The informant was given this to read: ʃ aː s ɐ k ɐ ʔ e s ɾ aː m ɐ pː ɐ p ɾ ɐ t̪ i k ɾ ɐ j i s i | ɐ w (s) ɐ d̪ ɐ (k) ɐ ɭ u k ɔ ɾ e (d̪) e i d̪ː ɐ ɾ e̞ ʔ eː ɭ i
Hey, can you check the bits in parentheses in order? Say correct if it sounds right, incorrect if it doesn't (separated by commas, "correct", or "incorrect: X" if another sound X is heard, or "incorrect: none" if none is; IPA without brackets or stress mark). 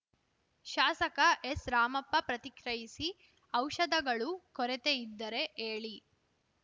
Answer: incorrect: ʃ, incorrect: ɡ, incorrect: t̪